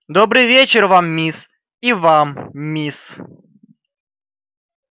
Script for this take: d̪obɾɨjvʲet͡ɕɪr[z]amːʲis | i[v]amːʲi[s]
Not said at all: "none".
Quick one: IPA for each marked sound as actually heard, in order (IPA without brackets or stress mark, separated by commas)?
v, v, s